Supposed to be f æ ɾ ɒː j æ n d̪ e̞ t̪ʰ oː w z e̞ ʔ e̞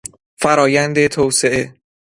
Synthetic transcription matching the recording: f æ ɾ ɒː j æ n d̪ e̞ t̪ʰ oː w s e̞ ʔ e̞